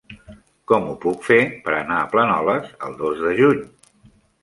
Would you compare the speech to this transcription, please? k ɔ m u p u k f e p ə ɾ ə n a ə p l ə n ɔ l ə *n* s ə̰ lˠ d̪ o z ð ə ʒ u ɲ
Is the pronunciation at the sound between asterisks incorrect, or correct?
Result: incorrect